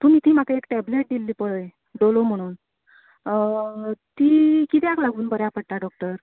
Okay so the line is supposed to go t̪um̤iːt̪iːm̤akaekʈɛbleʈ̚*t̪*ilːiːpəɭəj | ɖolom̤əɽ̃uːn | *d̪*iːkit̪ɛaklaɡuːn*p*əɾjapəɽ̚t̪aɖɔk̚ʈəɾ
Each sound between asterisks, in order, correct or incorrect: incorrect, incorrect, incorrect

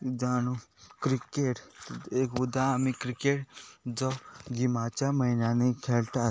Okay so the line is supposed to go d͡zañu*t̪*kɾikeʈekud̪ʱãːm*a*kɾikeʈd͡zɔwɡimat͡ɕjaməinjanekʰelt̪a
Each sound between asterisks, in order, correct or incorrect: incorrect, incorrect

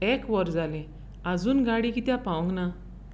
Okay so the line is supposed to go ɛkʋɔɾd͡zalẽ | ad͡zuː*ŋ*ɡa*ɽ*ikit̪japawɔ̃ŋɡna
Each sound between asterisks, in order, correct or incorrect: incorrect, correct

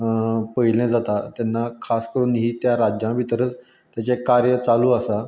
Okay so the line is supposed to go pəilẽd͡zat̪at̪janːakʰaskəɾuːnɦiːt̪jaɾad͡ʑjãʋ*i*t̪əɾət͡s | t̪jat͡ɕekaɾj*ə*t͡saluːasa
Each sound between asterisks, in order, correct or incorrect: correct, correct

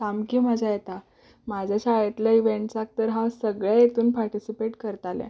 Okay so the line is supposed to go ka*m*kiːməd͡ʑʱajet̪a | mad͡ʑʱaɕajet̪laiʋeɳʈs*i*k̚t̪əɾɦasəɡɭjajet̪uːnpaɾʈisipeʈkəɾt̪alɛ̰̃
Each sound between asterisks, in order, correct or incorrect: correct, incorrect

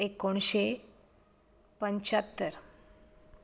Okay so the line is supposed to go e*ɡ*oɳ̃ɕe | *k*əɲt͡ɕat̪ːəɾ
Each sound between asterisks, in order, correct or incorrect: incorrect, incorrect

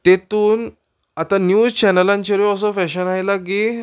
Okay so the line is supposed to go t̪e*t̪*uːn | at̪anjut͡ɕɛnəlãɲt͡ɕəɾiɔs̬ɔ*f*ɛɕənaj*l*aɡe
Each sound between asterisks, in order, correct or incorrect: correct, correct, correct

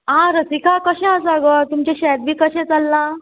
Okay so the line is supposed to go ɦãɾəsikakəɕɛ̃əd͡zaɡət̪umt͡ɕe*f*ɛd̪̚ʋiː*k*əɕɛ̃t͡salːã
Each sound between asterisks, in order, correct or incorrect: incorrect, correct

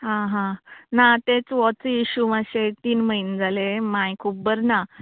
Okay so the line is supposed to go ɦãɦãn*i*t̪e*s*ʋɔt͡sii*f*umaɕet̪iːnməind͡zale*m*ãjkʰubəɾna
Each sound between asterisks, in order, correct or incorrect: incorrect, incorrect, incorrect, correct

